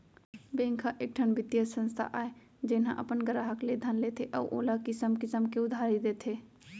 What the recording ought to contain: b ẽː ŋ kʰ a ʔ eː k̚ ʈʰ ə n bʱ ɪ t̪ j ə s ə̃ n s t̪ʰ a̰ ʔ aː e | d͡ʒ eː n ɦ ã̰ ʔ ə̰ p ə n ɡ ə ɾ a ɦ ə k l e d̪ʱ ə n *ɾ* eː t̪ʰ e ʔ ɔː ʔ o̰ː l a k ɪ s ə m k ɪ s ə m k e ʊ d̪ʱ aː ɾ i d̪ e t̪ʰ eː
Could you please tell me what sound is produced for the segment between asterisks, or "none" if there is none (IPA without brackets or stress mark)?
l